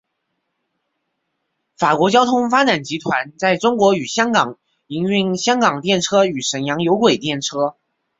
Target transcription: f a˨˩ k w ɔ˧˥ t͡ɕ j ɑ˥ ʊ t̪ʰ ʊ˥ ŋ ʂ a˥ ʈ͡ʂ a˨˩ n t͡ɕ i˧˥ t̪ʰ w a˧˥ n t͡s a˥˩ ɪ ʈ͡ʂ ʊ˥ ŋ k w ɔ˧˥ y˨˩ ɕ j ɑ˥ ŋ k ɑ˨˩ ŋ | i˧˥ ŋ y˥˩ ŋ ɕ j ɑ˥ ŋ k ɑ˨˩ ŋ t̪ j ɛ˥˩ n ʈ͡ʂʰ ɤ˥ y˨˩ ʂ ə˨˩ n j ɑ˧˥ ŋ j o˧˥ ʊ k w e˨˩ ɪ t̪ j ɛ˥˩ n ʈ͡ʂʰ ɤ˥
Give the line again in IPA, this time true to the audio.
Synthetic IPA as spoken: f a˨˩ k w ɔ˧˥ t͡ɕ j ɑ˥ ʊ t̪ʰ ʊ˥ ŋ f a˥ ʈ͡ʂ a˨˩ n t͡ɕ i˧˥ t̪ʰ w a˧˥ n t͡s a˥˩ ɪ ʈ͡ʂ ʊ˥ ŋ k w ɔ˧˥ y˨˩ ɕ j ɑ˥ ŋ k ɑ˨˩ ŋ | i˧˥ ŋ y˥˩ ŋ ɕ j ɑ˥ ŋ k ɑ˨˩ ŋ t̪ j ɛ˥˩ n ʈ͡ʂʰ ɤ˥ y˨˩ ʂ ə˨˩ n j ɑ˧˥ ŋ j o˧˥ ʊ k w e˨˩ ɪ t̪ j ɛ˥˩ n ʈ͡ʂʰ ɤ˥

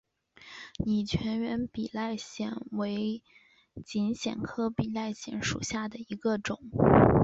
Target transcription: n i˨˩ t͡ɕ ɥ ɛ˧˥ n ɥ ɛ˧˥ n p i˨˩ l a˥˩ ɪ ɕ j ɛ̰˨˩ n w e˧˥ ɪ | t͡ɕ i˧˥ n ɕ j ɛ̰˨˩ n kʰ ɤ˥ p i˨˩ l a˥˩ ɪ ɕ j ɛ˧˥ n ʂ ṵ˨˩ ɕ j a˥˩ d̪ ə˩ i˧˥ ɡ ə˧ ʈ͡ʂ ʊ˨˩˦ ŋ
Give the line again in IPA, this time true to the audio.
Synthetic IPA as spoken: n i˨˩ t͡ɕʰ ɥ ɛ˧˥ n ɥ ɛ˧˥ n p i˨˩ l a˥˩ ɪ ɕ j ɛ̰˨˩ n w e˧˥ ɪ | t͡ɕ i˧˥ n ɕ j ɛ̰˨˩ n kʰ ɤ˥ p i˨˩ l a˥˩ ɪ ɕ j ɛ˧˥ n ʂ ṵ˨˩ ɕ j a˥˩ d̪ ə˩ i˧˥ ɡ ə˧ ʈ͡ʂ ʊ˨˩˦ ŋ

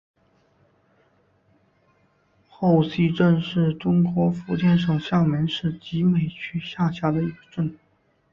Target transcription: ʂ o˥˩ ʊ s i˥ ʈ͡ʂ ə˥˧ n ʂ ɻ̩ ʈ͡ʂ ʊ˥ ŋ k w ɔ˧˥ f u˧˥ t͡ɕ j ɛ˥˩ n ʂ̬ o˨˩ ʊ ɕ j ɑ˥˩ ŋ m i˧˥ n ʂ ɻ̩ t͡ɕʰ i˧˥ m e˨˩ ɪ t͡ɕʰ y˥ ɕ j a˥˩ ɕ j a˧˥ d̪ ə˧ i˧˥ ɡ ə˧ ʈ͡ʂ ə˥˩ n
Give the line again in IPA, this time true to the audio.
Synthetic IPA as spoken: x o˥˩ ʊ s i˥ ʈ͡ʂ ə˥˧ n ʂ ɻ̩ ʈ͡ʂ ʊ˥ ŋ k w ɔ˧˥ f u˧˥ t͡ɕ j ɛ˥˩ n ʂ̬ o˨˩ ʊ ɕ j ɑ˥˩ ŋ m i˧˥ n ʂ ɻ̩ t͡ɕ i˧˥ m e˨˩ ɪ t͡ɕʰ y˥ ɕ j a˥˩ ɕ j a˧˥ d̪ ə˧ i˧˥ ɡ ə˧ ʈ͡ʂ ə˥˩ n

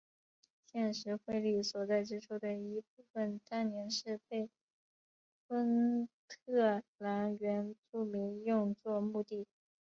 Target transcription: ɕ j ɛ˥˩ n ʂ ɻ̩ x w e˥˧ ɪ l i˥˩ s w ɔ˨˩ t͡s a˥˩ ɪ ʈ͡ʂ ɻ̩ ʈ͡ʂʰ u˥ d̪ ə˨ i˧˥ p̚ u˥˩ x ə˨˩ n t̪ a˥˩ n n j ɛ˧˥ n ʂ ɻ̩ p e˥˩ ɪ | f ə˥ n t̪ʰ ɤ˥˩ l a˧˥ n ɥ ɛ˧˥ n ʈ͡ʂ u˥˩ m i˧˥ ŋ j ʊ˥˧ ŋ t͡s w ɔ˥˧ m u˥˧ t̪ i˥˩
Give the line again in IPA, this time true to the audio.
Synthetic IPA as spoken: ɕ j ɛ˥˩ n ʂ ɻ̩ x w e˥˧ ɪ l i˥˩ s w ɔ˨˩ t͡s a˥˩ ɪ ʈ͡ʂ ɻ̩ ʈ͡ʂʰ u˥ d̪ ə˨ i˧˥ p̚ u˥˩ f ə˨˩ n t̪ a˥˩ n n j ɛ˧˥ n ʂ ɻ̩ p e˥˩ ɪ | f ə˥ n t̪ʰ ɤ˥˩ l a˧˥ n ɥ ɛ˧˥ n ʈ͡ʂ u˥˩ m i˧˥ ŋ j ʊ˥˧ ŋ t͡s w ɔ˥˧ m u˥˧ t̪ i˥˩

